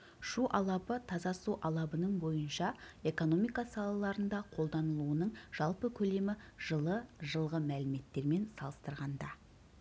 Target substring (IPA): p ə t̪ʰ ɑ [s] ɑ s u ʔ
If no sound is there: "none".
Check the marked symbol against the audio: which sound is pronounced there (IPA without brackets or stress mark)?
z